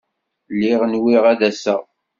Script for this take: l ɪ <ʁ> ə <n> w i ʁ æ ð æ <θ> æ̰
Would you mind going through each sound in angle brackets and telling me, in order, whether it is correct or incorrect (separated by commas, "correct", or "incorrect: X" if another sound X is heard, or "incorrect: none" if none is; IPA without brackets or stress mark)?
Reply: correct, correct, incorrect: s